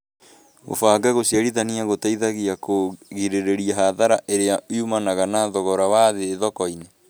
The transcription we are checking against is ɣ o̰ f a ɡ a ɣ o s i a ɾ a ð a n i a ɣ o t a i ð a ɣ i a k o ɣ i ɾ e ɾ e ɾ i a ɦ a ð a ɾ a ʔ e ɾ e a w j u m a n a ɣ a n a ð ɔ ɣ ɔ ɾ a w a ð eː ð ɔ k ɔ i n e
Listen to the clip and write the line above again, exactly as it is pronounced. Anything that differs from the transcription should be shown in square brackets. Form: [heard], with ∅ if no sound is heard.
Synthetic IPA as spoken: ɣ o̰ f a ɡ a ɣ o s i a ɾ [i] ð a n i a ɣ o t a i ð a ɣ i a k o ɣ i ɾ e ɾ e ɾ i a ɦ a ð a ɾ a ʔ e ɾ e a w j u m a n a ɣ a n a ð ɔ ɣ ɔ ɾ a w a ð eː ð ɔ k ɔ i n e